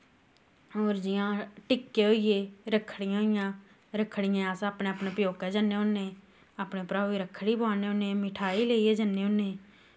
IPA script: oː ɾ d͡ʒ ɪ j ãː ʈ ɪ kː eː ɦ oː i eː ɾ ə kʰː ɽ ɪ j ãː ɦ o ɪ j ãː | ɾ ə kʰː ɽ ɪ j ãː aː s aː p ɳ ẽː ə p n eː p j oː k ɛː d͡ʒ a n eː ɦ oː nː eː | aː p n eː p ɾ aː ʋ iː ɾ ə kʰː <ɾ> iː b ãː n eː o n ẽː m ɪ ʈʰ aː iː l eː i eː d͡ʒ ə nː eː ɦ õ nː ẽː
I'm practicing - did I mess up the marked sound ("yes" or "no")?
yes